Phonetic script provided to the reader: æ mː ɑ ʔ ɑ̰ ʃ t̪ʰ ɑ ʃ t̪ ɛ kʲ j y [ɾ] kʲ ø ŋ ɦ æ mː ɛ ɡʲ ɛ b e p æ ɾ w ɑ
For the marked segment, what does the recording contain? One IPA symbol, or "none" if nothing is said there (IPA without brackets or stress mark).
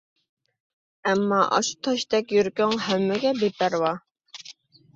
ɾ